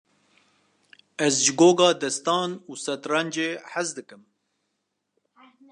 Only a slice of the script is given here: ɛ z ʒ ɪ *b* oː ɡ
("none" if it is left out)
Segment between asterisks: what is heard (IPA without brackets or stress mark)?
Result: ɡ